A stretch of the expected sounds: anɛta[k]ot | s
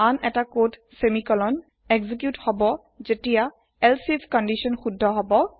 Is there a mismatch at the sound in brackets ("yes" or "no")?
no